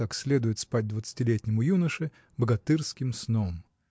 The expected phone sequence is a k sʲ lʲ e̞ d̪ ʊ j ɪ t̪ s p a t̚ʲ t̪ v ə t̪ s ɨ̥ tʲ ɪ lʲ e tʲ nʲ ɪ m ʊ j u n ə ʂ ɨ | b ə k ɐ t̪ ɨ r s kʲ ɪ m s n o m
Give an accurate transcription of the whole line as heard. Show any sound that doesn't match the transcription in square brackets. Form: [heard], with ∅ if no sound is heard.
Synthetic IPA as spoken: a k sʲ lʲ e̞ d̪ ʊ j ɪ t̪ s p a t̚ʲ [d̪] v ə t̪ s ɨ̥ tʲ ɪ lʲ e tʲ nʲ ɪ m ʊ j u n ə ʂ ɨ | b ə [ɡ] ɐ t̪ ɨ r s kʲ ɪ m s n o m